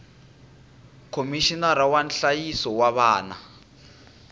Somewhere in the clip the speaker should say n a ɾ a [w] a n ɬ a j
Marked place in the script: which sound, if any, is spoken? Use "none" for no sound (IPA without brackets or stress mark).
w